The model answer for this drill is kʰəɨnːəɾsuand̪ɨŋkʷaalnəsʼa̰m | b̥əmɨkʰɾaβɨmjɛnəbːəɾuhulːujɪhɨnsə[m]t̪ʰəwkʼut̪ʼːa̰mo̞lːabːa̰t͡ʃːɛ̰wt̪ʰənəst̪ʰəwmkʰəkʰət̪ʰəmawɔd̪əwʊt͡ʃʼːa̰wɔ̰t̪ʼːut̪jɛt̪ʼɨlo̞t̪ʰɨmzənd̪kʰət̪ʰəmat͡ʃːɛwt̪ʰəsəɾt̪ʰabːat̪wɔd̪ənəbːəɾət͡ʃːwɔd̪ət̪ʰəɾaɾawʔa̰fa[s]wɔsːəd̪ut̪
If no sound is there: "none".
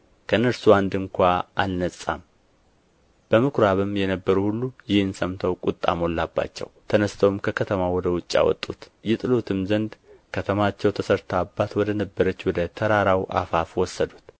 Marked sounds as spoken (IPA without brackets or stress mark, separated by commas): m, f